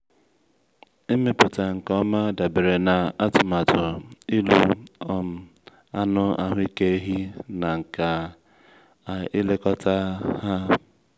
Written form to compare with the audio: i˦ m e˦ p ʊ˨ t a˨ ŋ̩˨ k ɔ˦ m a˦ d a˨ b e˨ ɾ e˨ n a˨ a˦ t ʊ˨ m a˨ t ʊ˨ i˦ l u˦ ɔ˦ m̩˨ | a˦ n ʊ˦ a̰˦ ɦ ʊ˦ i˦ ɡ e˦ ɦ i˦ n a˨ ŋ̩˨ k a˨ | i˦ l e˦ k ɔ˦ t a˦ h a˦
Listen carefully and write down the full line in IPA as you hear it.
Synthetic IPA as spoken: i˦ m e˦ p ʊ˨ t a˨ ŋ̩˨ k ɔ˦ m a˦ d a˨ b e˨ ɾ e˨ n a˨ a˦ t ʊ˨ m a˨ t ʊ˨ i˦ l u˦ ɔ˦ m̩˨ | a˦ n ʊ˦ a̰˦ ɦ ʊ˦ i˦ k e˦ ɦ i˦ n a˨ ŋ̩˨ k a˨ | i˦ l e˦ k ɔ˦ t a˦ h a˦